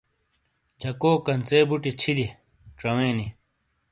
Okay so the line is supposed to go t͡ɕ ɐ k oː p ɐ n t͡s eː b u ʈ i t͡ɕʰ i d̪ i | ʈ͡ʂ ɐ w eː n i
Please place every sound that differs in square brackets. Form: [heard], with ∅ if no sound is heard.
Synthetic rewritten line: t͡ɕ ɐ k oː [k] ɐ n t͡s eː b u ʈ i t͡ɕʰ i d̪ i | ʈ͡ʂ ɐ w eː n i